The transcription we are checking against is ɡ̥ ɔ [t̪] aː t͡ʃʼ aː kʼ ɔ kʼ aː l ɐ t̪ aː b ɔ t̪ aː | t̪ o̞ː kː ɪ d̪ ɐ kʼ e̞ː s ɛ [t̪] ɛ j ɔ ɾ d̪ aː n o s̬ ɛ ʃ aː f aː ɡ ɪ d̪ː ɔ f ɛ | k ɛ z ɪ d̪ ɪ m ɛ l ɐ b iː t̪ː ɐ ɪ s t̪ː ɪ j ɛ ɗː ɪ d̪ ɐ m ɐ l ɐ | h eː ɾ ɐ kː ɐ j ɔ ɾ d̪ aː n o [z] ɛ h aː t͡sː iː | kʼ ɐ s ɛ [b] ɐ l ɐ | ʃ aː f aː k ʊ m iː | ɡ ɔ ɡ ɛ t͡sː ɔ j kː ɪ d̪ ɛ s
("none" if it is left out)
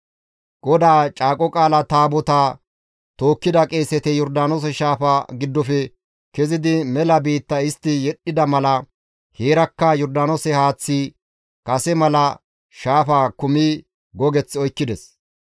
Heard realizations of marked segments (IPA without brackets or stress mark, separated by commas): d̪, t̪, s, m